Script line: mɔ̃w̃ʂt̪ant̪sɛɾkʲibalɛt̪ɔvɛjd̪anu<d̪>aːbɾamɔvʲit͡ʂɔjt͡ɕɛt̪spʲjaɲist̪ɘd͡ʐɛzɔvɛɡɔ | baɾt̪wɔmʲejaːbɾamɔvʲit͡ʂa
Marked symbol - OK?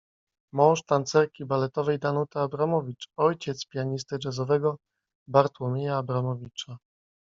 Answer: no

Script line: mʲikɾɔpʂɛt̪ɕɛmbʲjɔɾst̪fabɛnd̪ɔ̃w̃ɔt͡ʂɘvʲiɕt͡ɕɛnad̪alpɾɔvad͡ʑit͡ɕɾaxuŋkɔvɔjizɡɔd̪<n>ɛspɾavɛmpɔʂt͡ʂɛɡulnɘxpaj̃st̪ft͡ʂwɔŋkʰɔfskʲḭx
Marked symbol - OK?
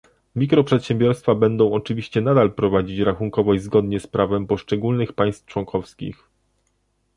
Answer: no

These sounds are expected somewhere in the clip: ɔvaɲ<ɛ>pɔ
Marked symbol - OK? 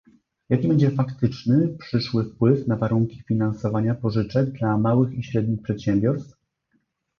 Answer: no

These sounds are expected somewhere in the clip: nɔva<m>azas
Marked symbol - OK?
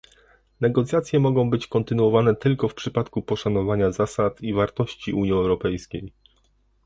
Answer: no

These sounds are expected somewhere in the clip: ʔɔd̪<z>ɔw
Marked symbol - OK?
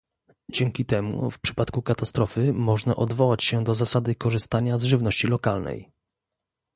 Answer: no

